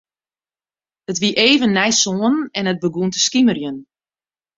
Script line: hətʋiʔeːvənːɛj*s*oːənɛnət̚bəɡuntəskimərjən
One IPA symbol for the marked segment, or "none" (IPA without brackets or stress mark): s